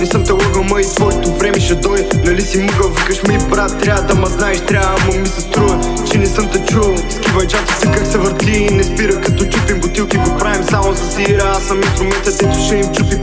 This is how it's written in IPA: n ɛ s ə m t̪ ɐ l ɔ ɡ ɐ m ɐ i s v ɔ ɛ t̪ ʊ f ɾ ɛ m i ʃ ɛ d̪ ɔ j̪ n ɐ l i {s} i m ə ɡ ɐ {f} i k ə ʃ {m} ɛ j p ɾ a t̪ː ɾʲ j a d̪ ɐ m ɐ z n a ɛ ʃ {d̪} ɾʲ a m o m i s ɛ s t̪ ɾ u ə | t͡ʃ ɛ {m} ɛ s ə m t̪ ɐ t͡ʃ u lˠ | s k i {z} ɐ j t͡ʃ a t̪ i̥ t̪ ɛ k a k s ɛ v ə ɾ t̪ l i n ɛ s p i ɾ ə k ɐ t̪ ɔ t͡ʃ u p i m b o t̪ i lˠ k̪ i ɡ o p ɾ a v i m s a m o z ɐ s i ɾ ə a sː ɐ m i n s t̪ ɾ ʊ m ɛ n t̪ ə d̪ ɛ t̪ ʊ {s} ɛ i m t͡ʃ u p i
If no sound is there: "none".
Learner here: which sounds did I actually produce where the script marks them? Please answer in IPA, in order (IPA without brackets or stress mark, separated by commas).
s, v, m, t̪, n, v, ʃ